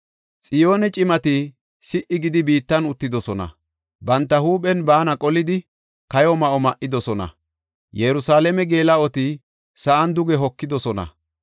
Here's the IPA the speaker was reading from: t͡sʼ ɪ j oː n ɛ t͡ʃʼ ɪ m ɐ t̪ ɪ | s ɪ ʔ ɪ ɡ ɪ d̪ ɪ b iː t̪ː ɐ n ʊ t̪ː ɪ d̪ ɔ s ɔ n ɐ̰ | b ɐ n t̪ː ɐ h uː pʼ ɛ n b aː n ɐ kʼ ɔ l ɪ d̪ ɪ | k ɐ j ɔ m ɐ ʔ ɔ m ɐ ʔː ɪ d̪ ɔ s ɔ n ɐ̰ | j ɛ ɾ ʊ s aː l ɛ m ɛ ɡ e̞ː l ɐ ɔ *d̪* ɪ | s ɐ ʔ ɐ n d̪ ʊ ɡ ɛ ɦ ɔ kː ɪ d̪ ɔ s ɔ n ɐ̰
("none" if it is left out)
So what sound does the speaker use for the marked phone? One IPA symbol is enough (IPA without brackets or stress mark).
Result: t̪